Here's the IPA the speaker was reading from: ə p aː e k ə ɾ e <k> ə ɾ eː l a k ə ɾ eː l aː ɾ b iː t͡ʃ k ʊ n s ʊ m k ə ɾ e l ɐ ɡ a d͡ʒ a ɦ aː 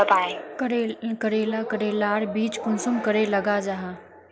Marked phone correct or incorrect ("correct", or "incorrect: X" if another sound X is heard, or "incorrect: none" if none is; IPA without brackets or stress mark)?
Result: correct